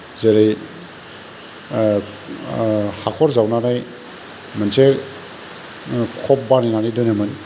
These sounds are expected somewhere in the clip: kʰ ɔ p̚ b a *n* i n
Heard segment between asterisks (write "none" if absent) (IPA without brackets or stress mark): n